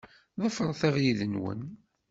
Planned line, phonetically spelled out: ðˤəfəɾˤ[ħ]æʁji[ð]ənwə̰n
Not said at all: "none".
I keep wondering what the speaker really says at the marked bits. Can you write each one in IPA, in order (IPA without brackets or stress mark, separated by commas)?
θ, ð